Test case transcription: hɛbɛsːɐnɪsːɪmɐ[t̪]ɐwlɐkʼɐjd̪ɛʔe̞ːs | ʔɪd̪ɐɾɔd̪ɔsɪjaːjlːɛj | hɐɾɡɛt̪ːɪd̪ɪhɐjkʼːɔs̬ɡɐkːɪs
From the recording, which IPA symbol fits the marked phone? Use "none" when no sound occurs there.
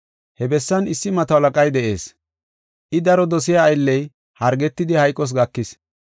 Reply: t̪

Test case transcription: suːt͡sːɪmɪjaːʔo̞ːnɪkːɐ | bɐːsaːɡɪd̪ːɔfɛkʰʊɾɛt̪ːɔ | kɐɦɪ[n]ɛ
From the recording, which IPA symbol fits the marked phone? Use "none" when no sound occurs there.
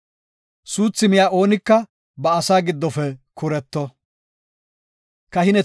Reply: n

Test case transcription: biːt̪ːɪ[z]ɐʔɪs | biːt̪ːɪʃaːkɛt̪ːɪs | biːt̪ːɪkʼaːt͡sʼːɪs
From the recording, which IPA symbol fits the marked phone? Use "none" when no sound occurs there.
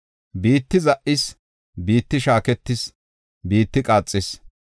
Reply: z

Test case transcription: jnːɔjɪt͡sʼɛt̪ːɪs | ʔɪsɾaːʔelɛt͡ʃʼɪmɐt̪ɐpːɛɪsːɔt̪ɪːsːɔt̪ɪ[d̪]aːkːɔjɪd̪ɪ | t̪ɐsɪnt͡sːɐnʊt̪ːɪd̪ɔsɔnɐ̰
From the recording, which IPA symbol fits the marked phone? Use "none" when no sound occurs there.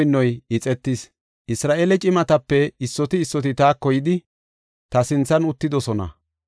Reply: t̪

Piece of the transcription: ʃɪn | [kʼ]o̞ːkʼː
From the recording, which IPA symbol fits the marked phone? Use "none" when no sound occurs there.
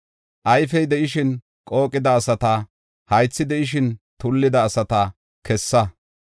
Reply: kʼ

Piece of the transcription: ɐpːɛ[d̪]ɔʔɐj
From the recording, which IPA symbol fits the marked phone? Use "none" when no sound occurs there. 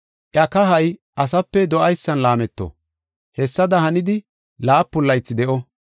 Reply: d̪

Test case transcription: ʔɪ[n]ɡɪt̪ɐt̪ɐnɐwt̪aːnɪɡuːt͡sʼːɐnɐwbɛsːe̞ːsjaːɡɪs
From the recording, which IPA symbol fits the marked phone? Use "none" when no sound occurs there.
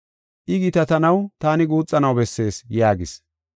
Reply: none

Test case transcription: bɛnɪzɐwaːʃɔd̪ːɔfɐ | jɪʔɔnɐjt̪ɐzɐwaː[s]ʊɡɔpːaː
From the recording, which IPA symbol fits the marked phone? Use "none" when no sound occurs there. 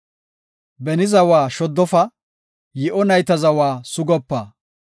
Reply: s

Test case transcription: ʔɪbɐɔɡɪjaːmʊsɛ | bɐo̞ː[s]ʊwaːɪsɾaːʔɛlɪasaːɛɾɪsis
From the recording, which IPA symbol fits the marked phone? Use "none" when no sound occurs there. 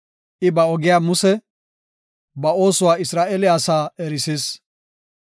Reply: s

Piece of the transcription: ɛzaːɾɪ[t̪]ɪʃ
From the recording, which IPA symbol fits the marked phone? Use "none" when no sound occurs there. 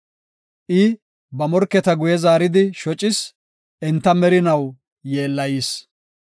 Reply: d̪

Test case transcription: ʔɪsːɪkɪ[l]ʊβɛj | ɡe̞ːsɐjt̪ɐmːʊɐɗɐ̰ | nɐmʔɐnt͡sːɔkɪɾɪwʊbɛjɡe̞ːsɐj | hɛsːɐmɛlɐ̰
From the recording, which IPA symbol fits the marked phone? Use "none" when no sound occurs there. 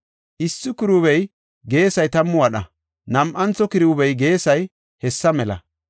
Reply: ɾ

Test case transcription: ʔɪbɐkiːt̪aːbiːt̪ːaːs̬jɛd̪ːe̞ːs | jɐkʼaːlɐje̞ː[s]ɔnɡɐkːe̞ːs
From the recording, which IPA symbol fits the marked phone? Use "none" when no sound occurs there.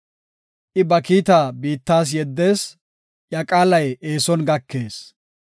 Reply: s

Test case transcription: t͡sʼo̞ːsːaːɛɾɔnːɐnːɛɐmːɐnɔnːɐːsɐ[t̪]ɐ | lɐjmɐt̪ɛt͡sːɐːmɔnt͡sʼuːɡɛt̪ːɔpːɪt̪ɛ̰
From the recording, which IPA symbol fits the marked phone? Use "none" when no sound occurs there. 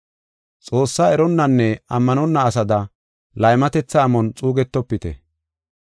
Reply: d̪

